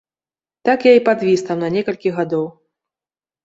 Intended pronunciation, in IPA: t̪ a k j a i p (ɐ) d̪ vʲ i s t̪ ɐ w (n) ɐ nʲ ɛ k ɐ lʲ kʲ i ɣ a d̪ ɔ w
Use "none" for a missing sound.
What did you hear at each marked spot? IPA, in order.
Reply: a, n

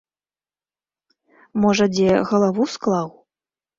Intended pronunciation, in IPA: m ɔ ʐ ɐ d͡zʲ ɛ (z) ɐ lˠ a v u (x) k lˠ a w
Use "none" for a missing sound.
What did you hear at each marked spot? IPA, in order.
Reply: ɣ, s

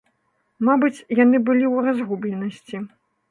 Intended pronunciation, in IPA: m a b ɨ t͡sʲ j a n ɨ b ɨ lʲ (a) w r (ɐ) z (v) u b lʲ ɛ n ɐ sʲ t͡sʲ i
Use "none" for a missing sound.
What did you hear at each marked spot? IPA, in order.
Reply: i, a, ɣ

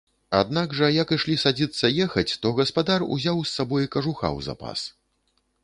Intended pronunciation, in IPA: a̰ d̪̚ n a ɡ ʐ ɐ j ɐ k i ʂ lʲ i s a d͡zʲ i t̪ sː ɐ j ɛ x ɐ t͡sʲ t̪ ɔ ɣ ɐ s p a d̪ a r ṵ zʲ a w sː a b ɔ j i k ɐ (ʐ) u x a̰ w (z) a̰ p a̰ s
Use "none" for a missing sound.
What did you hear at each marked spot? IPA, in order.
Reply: ʐ, z

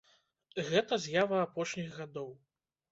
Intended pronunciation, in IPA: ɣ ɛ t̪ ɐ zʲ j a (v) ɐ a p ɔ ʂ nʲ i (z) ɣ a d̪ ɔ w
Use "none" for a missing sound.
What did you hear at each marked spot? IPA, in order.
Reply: v, ɣ

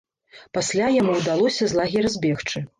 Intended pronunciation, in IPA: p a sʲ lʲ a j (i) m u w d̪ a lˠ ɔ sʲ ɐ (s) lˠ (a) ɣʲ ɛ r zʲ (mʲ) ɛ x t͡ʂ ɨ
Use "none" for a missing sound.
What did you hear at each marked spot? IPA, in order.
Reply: a, z, a, bʲ

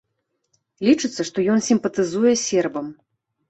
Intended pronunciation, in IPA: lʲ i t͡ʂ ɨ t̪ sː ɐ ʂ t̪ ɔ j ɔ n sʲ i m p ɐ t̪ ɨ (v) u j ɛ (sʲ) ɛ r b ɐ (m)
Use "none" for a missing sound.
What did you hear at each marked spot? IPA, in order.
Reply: z, sʲ, m

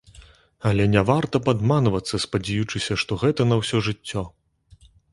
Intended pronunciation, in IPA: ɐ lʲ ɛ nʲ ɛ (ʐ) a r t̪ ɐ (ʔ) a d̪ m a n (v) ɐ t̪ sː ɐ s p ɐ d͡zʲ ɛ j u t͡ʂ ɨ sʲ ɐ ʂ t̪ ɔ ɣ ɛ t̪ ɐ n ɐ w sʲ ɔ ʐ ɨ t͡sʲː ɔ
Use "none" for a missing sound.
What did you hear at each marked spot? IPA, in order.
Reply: v, p, v

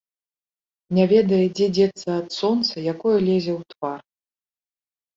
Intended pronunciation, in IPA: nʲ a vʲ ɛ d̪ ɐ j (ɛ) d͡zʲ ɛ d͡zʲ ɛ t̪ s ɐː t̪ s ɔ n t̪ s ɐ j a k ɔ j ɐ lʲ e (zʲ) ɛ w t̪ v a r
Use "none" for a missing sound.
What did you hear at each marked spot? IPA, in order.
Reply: ɛ, zʲ

